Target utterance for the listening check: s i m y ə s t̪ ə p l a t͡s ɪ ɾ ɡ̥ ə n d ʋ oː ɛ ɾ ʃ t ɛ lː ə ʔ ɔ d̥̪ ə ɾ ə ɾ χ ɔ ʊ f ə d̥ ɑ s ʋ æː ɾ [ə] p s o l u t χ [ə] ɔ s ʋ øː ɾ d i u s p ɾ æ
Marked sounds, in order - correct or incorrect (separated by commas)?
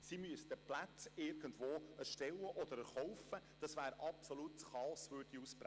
incorrect, incorrect